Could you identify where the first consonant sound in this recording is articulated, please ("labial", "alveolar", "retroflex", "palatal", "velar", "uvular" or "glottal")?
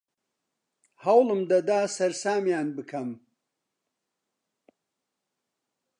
glottal